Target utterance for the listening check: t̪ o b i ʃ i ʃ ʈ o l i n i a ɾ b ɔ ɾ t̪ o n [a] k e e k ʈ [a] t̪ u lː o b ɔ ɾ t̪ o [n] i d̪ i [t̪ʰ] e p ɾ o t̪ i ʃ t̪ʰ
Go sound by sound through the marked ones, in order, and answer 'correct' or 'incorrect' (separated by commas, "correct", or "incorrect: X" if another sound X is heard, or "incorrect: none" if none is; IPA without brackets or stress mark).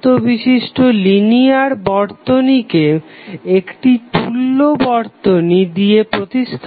incorrect: i, incorrect: i, correct, incorrect: none